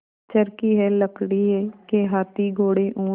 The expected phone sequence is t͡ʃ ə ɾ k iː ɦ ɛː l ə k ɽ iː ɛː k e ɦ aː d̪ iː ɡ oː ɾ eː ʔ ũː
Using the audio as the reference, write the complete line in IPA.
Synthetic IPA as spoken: t͡ʃ ə ɾ k iː ɦ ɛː l ə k ɽ iː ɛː k e ɦ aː t̪ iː ɡ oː ɽ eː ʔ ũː